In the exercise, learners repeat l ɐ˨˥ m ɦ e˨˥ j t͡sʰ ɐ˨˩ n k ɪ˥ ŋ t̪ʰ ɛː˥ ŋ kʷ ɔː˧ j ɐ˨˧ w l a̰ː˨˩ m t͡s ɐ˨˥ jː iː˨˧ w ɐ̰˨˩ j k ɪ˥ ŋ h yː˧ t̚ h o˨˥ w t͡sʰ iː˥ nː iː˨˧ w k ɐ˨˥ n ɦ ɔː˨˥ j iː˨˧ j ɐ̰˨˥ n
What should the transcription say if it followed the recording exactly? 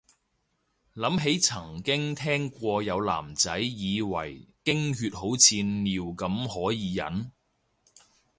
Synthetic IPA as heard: l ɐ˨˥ m ɦ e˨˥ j t͡sʰ ɐ˨˩ ŋ k ɪ˥ ŋ t̪ʰ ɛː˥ ŋ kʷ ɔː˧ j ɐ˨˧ w l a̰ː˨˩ m t͡s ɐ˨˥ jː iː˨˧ w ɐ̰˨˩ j k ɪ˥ ŋ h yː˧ t̚ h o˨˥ w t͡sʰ iː˧ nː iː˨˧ w k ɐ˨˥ m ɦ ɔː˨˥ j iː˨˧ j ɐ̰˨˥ n